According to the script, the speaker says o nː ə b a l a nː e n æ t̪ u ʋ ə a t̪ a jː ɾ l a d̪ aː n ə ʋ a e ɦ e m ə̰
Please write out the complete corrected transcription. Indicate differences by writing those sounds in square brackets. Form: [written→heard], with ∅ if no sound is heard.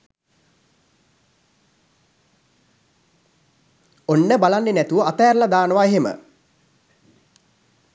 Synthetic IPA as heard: o nː ə b a l a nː e n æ t̪ u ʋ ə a t̪ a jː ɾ l a d̪ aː n ə ʋ a e ɦ e m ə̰